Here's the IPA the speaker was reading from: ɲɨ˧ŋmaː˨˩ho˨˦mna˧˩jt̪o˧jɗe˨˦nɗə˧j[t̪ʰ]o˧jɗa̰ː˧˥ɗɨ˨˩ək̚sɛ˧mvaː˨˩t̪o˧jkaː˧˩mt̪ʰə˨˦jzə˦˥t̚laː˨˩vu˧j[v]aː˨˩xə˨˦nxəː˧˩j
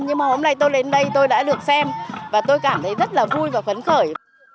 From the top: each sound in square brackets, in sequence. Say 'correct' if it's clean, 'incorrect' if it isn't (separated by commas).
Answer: incorrect, correct